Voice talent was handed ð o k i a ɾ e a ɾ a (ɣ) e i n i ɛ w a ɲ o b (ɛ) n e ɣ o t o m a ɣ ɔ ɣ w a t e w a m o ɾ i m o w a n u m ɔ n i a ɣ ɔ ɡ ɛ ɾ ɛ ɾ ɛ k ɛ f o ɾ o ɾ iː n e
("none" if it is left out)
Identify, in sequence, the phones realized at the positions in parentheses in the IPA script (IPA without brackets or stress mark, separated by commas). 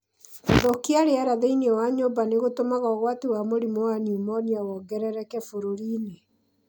ð, a